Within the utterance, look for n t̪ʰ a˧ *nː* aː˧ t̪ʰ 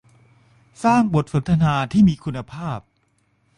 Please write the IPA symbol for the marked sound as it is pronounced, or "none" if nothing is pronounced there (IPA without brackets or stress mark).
n